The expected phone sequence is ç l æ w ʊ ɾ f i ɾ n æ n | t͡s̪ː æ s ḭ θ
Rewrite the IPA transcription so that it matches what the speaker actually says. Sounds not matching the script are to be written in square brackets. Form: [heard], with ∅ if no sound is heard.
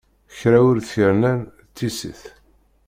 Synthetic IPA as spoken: ç [ɾ] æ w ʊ ɾ [θ] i ɾ n æ n | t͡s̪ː [i] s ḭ θ